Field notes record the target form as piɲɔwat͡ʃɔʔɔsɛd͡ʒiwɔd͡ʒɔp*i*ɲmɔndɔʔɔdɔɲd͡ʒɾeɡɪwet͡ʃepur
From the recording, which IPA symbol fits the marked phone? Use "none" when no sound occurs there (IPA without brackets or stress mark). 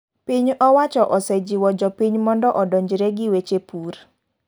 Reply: i